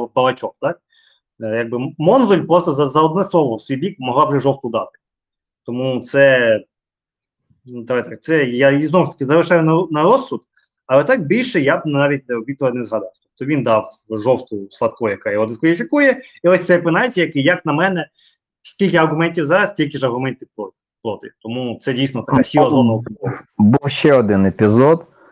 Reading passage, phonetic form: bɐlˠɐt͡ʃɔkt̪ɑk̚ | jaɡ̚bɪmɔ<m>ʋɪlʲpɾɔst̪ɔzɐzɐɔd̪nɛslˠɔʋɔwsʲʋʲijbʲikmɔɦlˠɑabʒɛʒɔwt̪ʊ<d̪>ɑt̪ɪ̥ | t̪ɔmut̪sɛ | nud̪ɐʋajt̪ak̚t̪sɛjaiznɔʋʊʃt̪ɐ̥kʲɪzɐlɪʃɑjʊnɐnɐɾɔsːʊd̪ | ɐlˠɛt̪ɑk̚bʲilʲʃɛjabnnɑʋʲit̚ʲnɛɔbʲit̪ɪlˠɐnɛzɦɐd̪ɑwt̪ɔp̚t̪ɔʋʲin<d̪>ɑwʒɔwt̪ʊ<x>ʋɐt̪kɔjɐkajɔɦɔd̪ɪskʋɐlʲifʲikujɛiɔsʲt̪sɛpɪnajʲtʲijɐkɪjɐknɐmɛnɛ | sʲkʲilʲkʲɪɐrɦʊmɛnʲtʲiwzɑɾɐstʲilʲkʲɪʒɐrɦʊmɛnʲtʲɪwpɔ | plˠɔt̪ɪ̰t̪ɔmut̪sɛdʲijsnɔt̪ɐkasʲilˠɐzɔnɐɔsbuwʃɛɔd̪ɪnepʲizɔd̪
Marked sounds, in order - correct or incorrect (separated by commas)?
incorrect, correct, correct, incorrect